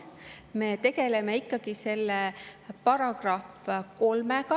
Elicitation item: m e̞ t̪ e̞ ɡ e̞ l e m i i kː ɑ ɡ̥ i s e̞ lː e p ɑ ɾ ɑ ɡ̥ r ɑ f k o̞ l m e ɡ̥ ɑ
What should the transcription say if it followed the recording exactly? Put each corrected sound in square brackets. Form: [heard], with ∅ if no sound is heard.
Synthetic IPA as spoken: m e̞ t̪ e̞ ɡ e̞ l e m [e] i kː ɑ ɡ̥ i s e̞ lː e p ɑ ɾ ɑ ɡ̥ r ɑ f k o̞ l m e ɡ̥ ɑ